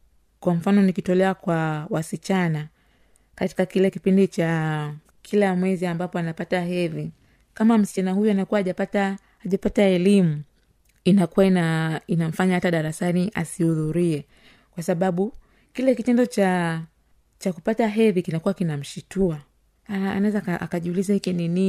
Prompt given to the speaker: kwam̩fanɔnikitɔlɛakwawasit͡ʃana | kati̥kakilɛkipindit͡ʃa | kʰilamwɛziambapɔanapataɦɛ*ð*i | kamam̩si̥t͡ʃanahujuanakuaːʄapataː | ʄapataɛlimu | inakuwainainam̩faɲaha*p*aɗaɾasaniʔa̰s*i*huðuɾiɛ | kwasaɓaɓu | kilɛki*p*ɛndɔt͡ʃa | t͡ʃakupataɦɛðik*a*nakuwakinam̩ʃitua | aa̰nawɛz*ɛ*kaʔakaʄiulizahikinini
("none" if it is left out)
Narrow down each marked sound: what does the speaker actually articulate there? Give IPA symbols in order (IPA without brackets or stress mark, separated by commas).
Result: ð, t, i, t, i, a